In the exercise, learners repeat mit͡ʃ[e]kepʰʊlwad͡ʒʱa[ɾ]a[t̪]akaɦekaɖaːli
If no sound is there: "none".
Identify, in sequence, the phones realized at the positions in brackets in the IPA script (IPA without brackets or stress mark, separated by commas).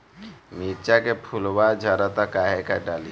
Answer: a, ɾ, t̪